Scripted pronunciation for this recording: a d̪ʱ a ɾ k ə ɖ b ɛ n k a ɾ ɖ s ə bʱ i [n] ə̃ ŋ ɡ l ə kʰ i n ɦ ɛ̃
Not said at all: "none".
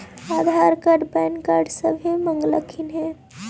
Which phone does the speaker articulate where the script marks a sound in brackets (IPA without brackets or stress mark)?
m